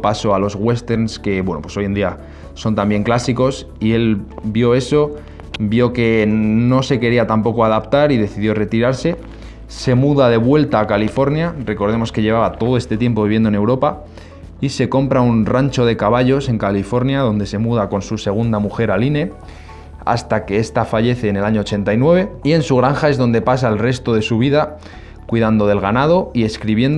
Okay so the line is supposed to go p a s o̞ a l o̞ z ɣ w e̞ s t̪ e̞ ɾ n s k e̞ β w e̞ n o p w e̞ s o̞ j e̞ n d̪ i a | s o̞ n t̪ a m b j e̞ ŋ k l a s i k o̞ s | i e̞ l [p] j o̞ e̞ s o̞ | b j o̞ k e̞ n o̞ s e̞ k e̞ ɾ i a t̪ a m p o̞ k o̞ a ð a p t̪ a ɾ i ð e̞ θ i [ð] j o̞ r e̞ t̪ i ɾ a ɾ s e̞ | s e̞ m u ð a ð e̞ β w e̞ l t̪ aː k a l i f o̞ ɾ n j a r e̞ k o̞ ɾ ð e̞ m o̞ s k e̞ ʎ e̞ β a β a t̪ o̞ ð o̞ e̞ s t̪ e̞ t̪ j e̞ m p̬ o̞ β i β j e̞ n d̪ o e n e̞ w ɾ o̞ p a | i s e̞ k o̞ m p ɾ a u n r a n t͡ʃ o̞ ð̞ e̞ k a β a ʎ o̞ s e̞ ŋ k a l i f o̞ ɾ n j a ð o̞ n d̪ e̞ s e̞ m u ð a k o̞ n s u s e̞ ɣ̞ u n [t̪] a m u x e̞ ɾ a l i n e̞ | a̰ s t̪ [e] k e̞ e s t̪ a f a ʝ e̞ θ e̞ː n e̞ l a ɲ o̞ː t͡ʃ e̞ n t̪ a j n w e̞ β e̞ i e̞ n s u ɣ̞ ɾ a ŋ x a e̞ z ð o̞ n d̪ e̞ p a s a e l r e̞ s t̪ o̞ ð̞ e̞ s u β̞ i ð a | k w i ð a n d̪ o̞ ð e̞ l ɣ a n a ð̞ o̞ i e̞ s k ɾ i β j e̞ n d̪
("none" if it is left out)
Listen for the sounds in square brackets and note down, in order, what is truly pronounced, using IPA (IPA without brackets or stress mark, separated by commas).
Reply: b, ð, d̪, a